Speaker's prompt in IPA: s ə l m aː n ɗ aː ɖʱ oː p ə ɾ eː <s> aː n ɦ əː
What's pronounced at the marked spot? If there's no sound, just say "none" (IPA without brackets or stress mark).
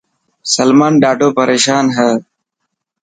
ʃ